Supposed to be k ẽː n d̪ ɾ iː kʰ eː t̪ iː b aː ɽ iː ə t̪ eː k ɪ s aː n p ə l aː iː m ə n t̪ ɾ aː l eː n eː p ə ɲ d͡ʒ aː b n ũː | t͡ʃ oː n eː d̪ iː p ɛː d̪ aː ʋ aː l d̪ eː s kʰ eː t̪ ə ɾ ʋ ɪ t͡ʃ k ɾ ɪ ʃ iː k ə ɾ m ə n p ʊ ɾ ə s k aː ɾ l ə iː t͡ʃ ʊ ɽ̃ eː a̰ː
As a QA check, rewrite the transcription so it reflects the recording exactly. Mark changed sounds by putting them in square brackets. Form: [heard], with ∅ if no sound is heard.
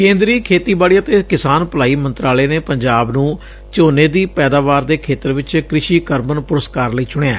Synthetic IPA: k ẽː n d̪ ɾ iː kʰ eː t̪ iː b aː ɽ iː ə t̪ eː k ɪ s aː n p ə l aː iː m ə n t̪ ɾ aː l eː n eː p ə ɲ d͡ʒ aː b n ũː | t͡ʃ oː n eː d̪ iː p ɛː d̪ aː ʋ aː [ɾ] d̪ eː [∅] kʰ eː t̪ ə ɾ ʋ ɪ t͡ʃ k ɾ ɪ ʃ iː k ə ɾ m ə n p ʊ ɾ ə s k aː ɾ l ə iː t͡ʃ ʊ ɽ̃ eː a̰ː

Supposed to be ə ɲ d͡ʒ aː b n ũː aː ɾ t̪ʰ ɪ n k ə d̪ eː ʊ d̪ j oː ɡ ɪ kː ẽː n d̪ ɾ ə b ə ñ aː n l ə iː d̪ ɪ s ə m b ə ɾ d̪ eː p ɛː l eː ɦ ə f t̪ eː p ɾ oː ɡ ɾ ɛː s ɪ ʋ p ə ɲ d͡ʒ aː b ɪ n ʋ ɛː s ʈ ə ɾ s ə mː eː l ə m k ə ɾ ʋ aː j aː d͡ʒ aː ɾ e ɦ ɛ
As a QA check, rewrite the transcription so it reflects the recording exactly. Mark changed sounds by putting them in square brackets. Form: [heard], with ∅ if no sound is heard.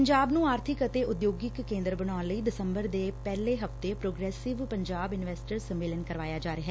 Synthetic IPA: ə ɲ d͡ʒ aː b n ũː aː ɾ t̪ʰ ɪ [∅] k ə [t̪] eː ʊ d̪ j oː ɡ ɪ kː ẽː n d̪ ɾ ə b ə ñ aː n l ə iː d̪ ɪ s ə m b ə ɾ d̪ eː p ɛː l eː ɦ ə f t̪ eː p ɾ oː ɡ ɾ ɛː s ɪ ʋ p ə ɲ d͡ʒ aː b ɪ n ʋ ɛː s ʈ ə ɾ s ə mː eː l ə [n] k ə ɾ ʋ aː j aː d͡ʒ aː ɾ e ɦ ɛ

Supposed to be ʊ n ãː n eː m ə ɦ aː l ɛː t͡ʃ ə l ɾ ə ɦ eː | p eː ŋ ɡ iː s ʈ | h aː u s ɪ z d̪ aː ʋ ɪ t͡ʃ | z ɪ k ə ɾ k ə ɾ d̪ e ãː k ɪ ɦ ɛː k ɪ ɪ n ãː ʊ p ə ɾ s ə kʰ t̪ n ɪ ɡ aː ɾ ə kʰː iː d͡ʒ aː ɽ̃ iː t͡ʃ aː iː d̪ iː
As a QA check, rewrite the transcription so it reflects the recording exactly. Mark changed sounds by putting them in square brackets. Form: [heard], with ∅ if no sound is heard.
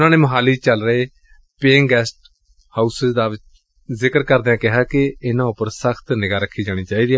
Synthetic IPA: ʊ n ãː n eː m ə ɦ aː l [iː] t͡ʃ ə l ɾ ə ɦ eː | p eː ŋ ɡ [ɛː] s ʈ | h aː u s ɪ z d̪ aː ʋ ɪ t͡ʃ | z ɪ k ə ɾ k ə ɾ d̪ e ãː k ɪ ɦ [aː] k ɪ ɪ n ãː ʊ p ə ɾ s ə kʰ t̪ n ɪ ɡ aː ɾ ə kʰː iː d͡ʒ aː ɽ̃ iː t͡ʃ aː iː d̪ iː

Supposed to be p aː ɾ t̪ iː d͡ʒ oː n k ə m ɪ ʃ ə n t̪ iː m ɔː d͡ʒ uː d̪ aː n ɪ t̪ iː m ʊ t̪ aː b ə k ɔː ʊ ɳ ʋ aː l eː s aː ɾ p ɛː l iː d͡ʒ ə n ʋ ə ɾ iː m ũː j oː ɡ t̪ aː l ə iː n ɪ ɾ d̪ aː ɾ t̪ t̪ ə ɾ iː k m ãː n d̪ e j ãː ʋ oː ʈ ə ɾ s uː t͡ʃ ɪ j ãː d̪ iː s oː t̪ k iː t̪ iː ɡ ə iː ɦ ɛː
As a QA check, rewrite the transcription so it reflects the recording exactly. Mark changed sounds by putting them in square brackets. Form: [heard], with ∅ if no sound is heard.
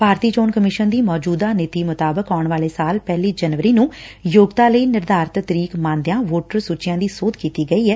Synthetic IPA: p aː ɾ t̪ iː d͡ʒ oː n k ə m ɪ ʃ ə n [d̪] iː m ɔː d͡ʒ uː d̪ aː n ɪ t̪ iː m ʊ t̪ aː b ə k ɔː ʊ ɳ ʋ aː l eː s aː [l] p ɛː l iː d͡ʒ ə n ʋ ə ɾ iː [n] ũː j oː ɡ t̪ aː l ə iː n ɪ ɾ d̪ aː ɾ t̪ t̪ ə ɾ iː k m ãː n d̪ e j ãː ʋ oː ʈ ə ɾ s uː t͡ʃ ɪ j ãː d̪ iː s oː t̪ k iː t̪ iː ɡ ə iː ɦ ɛː

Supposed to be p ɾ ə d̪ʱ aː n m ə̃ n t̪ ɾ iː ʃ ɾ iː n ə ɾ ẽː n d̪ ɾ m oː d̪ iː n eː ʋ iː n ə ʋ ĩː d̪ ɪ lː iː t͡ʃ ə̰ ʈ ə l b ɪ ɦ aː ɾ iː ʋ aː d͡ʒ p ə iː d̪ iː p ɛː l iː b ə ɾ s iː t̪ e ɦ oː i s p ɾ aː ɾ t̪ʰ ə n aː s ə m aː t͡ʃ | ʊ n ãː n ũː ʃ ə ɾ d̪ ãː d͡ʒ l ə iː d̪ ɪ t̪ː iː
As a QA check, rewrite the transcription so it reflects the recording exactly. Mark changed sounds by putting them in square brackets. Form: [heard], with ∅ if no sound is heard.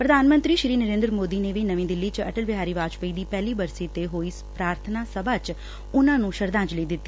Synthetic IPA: p ɾ ə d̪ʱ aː n m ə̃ n t̪ ɾ iː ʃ ɾ iː n ə ɾ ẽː n d̪ ɾ m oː d̪ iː n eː ʋ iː n ə ʋ ĩː d̪ ɪ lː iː t͡ʃ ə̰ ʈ ə l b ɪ ɦ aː ɾ iː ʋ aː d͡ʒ p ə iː d̪ iː p ɛː l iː b ə ɾ s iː t̪ e ɦ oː i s p ɾ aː ɾ t̪ʰ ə n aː s ə [b] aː t͡ʃ | ʊ n ãː n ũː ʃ ə ɾ d̪ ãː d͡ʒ l ə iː d̪ ɪ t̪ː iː

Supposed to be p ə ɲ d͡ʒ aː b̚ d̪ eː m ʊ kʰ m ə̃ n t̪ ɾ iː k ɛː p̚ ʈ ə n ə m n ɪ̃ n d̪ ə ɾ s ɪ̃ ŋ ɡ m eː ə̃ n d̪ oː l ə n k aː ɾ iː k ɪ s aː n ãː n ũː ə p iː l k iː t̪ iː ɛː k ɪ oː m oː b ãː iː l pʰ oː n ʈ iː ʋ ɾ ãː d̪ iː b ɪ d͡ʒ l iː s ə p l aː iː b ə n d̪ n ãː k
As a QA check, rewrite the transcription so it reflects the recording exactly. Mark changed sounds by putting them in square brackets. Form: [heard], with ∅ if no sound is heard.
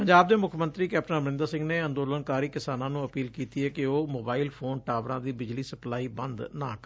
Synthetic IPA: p ə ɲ d͡ʒ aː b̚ d̪ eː m ʊ kʰ m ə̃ n t̪ ɾ iː k ɛː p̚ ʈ ə n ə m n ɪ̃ n d̪ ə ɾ s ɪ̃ ŋ ɡ [n] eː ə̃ n d̪ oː l ə n k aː ɾ iː k ɪ s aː n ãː n ũː ə p iː l k iː t̪ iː ɛː k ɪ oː m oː b [aː] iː l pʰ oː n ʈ [aː] ʋ ɾ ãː d̪ iː b ɪ d͡ʒ l iː s ə p l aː iː b ə n d̪ n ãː k

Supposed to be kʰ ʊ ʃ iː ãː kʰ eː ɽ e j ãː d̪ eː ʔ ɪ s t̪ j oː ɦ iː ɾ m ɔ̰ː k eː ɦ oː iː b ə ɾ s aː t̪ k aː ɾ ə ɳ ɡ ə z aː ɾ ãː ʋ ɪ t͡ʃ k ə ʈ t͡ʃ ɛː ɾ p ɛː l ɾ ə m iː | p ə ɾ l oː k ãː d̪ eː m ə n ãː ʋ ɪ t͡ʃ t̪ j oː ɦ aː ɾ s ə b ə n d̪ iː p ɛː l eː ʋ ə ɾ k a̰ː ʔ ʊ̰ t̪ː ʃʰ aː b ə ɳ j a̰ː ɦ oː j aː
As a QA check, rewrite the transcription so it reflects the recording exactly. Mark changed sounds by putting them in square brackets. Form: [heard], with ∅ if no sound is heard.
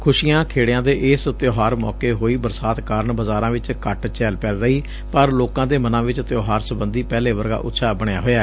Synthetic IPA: kʰ ʊ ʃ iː ãː kʰ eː ɽ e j ãː d̪ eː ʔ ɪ s t̪ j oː ɦ [aː] ɾ m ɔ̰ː k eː ɦ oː iː b ə ɾ s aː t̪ k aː ɾ ə ɳ [b] ə z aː ɾ ãː ʋ ɪ t͡ʃ k ə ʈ t͡ʃ ɛː [l] p ɛː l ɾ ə [∅] iː | p ə ɾ l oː k ãː d̪ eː m ə n ãː ʋ ɪ t͡ʃ t̪ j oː ɦ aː ɾ s ə b ə n d̪ iː p ɛː l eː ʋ ə ɾ [ɡ] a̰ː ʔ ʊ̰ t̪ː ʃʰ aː b ə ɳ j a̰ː ɦ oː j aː

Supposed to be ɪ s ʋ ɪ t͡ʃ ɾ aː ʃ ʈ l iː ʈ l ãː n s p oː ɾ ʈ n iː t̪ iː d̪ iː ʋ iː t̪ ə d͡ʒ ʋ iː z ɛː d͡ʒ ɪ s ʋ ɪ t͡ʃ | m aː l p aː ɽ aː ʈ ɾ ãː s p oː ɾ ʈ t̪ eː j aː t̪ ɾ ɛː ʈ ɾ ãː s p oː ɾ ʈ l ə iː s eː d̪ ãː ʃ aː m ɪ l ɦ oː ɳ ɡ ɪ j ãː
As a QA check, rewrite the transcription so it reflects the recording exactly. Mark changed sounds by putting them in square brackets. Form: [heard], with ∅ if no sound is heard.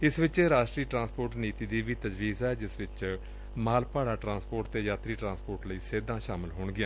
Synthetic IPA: ɪ s ʋ ɪ t͡ʃ ɾ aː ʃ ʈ [ɾ] iː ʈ [ɾ] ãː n s p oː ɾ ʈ n iː t̪ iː d̪ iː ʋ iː t̪ ə d͡ʒ ʋ iː z ɛː d͡ʒ ɪ s ʋ ɪ t͡ʃ | m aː l p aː ɽ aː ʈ ɾ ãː s p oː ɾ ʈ t̪ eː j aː t̪ ɾ [iː] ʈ ɾ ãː s p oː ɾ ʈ l ə iː s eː d̪ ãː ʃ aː m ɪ l ɦ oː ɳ ɡ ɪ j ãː

